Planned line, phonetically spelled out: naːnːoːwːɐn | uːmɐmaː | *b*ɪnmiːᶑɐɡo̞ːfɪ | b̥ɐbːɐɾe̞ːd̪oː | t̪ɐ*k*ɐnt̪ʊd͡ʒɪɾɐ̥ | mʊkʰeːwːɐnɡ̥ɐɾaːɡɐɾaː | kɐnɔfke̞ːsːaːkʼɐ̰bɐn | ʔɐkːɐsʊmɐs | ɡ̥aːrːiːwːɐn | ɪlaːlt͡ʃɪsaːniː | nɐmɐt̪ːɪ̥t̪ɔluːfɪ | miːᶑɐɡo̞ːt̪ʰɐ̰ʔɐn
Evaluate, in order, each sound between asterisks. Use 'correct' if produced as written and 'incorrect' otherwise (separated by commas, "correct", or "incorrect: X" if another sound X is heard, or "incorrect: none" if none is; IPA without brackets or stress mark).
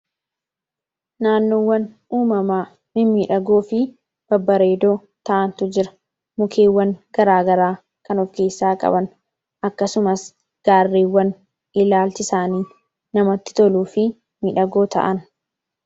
incorrect: m, incorrect: ʔ